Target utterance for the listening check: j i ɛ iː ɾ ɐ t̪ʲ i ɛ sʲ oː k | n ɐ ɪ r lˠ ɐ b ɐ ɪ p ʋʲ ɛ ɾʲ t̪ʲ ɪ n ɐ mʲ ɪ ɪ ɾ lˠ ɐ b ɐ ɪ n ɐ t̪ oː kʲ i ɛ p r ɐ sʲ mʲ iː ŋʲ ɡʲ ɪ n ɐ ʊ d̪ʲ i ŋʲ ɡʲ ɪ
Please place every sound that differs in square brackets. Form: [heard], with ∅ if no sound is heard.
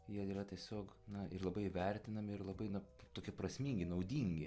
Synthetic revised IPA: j i ɛ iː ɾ ɐ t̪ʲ i ɛ sʲ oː k | n ɐ ɪ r lˠ ɐ b ɐ ɪ [∅] ʋʲ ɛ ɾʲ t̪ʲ ɪ n ɐ mʲ ɪ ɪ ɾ lˠ ɐ b ɐ ɪ n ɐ t̪ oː kʲ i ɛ p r ɐ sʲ mʲ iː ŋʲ ɡʲ ɪ n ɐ ʊ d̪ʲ i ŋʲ ɡʲ ɪ